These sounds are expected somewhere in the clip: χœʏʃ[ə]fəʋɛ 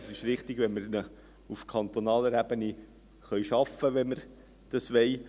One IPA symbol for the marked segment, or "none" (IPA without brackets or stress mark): ɑ